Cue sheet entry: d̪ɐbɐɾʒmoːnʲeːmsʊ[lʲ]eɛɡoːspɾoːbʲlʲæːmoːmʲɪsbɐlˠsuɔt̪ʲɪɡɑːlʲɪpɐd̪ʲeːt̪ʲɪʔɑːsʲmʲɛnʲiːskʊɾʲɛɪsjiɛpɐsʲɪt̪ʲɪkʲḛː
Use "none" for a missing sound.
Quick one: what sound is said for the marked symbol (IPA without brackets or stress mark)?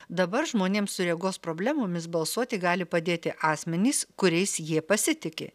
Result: ɾʲ